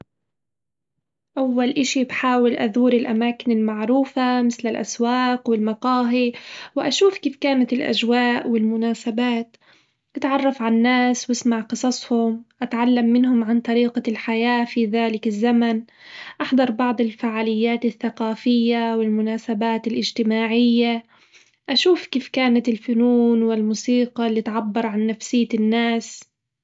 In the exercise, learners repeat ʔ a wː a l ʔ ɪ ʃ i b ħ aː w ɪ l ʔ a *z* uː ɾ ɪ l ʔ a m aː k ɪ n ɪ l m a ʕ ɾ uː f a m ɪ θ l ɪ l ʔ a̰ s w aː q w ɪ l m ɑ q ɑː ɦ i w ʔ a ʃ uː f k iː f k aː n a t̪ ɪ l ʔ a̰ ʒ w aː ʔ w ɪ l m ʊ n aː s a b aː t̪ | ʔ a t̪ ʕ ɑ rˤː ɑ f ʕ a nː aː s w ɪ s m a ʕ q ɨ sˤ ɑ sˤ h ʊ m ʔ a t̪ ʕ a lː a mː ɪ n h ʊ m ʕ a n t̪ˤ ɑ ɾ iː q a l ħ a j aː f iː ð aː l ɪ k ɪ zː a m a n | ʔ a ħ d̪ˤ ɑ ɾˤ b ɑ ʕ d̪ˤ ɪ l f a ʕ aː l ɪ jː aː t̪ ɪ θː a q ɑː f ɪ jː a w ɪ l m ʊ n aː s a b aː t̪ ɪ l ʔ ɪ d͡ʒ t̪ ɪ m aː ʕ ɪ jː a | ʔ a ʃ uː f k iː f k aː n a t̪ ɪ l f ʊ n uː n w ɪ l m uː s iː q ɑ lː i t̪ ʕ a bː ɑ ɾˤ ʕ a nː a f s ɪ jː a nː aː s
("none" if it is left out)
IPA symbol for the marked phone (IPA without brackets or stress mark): ð